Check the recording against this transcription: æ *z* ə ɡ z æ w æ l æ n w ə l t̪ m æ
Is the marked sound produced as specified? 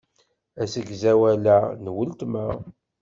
no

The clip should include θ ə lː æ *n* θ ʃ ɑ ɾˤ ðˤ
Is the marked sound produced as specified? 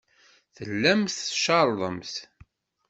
no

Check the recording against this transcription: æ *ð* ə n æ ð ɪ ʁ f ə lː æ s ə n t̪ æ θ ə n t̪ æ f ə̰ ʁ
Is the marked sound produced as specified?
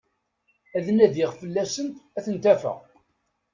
yes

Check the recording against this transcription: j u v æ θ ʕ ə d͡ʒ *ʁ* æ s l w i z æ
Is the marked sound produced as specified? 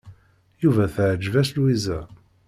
no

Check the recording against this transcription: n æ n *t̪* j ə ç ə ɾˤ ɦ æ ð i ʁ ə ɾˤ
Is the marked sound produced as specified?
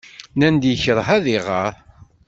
no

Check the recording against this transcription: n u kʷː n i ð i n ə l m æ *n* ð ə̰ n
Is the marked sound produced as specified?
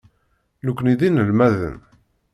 no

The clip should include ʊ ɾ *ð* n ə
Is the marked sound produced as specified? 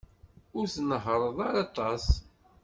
no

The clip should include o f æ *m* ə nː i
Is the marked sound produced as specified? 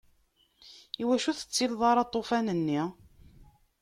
no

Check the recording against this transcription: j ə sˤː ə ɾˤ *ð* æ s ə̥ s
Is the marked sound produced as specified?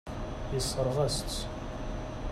no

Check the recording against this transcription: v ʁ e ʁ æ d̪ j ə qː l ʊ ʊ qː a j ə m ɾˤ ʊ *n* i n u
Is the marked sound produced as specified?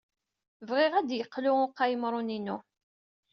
yes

